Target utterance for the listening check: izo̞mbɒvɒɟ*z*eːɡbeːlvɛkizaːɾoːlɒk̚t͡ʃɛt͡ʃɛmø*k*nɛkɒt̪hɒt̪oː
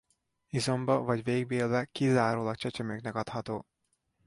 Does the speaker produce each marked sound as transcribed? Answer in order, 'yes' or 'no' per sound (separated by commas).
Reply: no, yes